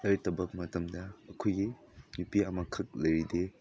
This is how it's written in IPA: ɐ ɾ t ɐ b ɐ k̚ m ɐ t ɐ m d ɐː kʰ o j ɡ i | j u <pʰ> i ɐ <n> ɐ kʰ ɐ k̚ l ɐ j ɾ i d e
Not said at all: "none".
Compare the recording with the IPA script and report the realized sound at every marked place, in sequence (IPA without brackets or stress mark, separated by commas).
p, m